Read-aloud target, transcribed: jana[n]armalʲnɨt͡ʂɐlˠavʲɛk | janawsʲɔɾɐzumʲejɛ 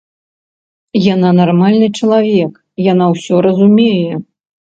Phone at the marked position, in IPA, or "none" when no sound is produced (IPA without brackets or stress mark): n